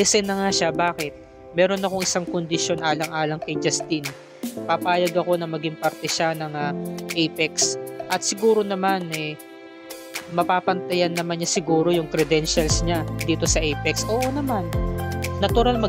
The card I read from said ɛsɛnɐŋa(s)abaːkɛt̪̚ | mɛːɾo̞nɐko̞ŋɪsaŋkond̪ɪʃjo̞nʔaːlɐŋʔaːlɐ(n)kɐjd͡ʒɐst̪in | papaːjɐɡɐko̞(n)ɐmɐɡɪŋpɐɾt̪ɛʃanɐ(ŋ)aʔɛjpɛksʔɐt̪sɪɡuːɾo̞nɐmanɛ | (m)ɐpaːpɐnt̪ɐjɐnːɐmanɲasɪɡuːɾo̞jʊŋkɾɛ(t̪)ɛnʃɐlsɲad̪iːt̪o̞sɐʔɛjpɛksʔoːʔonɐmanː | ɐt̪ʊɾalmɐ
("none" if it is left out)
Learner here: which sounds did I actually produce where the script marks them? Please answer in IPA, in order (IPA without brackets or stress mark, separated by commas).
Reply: ʃ, ŋ, n, ŋ, m, d̪